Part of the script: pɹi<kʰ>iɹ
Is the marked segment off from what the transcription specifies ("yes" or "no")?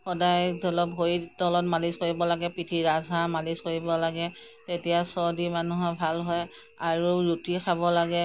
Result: yes